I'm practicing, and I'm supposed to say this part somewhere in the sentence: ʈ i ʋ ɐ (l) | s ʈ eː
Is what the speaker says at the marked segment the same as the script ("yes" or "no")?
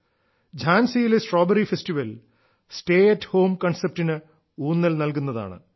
yes